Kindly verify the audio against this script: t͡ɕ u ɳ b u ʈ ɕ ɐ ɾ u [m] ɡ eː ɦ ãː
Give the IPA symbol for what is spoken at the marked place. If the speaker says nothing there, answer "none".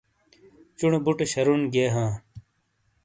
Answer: n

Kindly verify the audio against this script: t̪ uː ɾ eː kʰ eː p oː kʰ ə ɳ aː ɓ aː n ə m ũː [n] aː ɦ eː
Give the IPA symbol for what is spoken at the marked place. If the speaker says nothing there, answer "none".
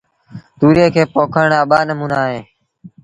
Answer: n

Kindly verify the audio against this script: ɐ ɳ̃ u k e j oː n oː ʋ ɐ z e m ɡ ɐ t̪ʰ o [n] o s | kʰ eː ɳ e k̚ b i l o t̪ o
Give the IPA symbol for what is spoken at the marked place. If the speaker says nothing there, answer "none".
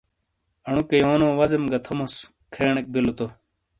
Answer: m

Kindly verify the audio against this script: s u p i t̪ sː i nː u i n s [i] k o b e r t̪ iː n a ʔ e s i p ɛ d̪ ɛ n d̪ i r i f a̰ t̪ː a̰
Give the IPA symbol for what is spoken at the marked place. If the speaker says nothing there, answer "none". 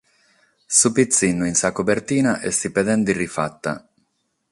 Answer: a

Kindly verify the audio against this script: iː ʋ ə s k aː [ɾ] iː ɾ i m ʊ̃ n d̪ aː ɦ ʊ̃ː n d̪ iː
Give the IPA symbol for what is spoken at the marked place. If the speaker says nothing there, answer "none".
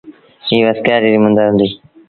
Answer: ɾ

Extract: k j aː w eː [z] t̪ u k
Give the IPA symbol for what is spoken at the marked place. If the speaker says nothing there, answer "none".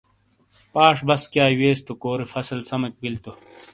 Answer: s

